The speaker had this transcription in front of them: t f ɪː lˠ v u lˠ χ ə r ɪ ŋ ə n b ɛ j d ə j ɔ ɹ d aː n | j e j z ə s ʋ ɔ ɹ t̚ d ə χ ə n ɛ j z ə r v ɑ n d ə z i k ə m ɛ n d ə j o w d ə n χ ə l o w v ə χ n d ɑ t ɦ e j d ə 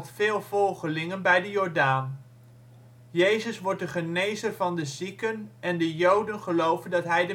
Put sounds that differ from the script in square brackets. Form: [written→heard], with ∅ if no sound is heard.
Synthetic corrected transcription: t f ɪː lˠ v [u→ɔ] lˠ χ ə [r→l] ɪ ŋ ə n b ɛ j d ə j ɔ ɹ d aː n | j e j z ə s ʋ ɔ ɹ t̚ d ə χ ə n [ɛ→e] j z ə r v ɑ n d ə z i k ə [m→n] ɛ n d ə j o w d ə n χ ə l o w v ə [χ→∅] n d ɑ t ɦ [e→ɛ] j d ə